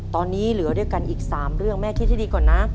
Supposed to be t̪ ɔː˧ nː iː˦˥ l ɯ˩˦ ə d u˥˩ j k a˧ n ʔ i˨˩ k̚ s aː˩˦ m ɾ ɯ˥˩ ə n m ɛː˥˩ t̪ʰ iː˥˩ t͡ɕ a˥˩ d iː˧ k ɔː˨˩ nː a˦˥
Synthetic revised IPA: t̪ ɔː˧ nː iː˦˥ l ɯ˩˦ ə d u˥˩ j k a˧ n ʔ iː˨˩ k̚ s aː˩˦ m ɾ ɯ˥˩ ə ŋ m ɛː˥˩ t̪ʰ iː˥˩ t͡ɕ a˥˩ d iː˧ k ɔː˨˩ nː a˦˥